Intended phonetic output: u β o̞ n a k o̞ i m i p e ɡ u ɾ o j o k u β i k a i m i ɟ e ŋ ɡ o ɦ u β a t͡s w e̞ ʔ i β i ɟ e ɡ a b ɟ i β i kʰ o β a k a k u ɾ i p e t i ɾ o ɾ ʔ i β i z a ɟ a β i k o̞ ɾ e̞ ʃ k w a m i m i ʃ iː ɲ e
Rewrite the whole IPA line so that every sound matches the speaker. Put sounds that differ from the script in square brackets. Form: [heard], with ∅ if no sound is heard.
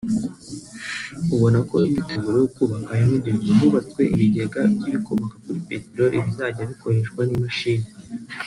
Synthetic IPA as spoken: u β o̞ n a k o̞ i m i [t] e ɡ u ɾ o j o k u β [a] k a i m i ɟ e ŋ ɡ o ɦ u β a t͡s w e̞ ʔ i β i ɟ e ɡ a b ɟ i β i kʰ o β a k a k u ɾ i p e t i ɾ o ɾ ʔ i β i z a ɟ a β i k o̞ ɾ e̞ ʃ k w a [n] i m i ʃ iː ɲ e

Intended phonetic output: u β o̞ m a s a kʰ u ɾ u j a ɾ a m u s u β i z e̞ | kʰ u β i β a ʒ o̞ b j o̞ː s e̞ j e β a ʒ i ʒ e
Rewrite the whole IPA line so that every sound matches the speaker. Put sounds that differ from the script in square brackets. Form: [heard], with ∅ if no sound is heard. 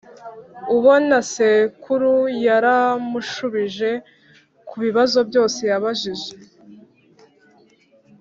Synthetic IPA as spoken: u β o̞ [n] a s [e] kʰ u ɾ u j a ɾ a m u [ʃ] u β i [ʒ] e̞ | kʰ u β i β a [z] o̞ b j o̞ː s e̞ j [a] β a ʒ i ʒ e

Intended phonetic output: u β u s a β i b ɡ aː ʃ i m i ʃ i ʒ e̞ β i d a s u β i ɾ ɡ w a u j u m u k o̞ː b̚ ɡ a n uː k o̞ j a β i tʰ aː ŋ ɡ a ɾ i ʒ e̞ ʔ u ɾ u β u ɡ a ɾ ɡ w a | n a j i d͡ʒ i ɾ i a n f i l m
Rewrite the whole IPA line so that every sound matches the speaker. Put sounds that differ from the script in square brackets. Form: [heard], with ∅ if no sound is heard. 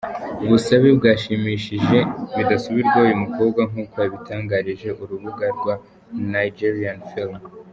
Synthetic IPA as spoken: u β u s a β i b ɡ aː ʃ i m i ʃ i ʒ e̞ β i d a s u β i ɾ ɡ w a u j u m u k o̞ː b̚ ɡ a [ŋ] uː k o̞ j a β i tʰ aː ŋ ɡ a ɾ i ʒ e̞ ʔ u ɾ u β u ɡ a ɾ ɡ w a | n a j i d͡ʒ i ɾ i a n f i l m

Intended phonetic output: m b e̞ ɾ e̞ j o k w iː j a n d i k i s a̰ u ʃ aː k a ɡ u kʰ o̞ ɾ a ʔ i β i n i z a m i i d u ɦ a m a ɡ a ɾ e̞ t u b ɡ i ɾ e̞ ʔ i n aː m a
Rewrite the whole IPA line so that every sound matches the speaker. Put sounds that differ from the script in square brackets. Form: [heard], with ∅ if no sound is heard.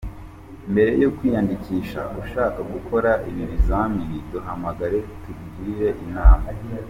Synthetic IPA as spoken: m b e̞ ɾ e̞ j o k w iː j a n d i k i [ʃ] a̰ u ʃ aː k a ɡ u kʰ o̞ ɾ a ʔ i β i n i z a m i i d u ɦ a m a ɡ a ɾ e̞ t u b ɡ i ɾ e̞ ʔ i n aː m a

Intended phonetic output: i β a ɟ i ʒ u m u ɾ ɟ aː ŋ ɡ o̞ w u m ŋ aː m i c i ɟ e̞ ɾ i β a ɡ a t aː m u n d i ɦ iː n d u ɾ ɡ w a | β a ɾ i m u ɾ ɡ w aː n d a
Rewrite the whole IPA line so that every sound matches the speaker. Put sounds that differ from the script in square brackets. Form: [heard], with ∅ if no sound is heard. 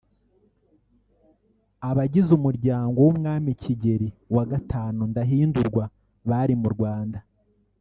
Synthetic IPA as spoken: [a] β a ɟ i [z] u m u ɾ ɟ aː ŋ ɡ o̞ w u m ŋ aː m i c i ɟ e̞ ɾ i [w] a ɡ a t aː [n] u n d [a] ɦ iː n d u ɾ ɡ w a | β a ɾ i m u ɾ ɡ w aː n d a

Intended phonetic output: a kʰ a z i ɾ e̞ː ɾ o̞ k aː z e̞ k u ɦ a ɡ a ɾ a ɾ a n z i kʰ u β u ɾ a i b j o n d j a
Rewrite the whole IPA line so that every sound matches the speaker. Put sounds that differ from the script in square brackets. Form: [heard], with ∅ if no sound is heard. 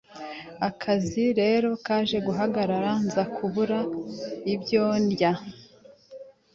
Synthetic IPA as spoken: a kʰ a z i ɾ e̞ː ɾ o̞ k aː [ʒ] e̞ [ɡ] u ɦ a ɡ a ɾ a ɾ a n z [a] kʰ u β u ɾ a i b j o n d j a

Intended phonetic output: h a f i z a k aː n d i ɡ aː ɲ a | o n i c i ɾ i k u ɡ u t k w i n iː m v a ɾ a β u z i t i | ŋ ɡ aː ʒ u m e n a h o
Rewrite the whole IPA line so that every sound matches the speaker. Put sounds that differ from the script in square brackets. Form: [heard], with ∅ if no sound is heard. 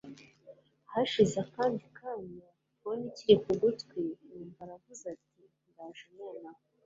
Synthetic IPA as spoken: h a [ʃ] i z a k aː n d i [k] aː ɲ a | o n i c i ɾ i k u ɡ u t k w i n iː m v a ɾ a [v] u z [a] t i | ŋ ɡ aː ʒ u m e n a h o

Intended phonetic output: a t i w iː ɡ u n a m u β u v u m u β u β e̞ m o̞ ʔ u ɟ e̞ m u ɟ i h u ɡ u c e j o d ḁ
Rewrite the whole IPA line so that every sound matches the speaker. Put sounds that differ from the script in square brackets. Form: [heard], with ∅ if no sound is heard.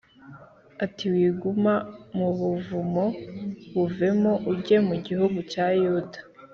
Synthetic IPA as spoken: a t i w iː ɡ u [m] a m u β u v u m [o] β u [v] e̞ m o̞ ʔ u ɟ e̞ m u ɟ i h u ɡ u c [a] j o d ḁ

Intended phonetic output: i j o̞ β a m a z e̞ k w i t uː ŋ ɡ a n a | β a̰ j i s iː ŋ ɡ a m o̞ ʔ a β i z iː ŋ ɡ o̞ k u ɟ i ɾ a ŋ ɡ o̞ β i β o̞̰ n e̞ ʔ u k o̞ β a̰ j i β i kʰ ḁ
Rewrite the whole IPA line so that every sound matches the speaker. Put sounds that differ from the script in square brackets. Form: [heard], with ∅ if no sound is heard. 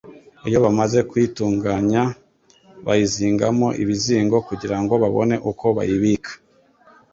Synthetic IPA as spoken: i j o̞ β a m a z e̞ k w i t uː ŋ ɡ a [ɲ] a | β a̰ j i [z] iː ŋ ɡ a m o̞ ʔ [i] β i z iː ŋ ɡ o̞ k u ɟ i ɾ a ŋ ɡ o̞ β [a] β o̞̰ n e̞ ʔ u k o̞ β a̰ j i β i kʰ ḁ

